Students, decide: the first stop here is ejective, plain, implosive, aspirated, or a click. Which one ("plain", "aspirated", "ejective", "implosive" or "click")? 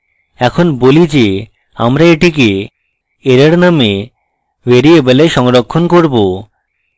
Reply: aspirated